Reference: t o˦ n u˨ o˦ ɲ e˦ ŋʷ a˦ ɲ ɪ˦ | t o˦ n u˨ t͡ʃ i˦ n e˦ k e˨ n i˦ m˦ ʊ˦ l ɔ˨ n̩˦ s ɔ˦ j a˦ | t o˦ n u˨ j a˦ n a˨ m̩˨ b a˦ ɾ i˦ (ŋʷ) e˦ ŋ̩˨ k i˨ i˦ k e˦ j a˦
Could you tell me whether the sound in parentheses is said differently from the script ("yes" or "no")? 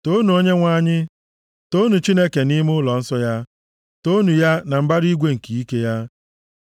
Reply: yes